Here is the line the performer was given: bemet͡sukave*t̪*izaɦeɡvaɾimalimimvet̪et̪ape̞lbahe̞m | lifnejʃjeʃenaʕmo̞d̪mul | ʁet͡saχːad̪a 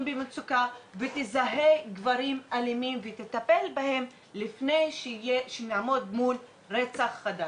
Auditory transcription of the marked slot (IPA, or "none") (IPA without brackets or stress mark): t̪